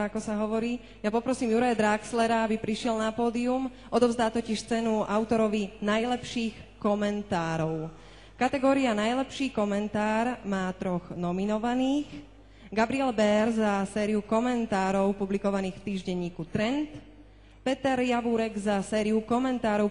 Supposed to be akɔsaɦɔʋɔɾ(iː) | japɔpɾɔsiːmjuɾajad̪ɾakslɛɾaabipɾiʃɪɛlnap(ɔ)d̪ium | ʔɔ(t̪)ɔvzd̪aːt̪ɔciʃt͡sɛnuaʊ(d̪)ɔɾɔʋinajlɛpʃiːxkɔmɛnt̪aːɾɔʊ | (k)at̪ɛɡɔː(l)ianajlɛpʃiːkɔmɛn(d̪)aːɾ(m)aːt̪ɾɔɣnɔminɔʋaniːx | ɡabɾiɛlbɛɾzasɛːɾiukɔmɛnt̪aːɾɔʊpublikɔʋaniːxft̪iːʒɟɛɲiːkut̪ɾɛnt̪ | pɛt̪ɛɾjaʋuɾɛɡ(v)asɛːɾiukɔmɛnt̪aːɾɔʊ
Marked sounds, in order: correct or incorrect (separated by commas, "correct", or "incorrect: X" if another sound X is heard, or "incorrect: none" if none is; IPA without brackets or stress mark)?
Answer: correct, incorrect: ɔː, incorrect: d̪, incorrect: t̪, correct, incorrect: ɾ, incorrect: t̪, correct, incorrect: z